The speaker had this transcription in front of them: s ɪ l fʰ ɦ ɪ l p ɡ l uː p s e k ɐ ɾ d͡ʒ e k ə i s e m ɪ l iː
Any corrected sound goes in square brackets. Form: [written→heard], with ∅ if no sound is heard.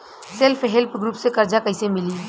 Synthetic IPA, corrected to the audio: s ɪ l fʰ ɦ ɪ l p ɡ [l→ɾ] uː p s e k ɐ ɾ d͡ʒ [e→a] k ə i s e m ɪ l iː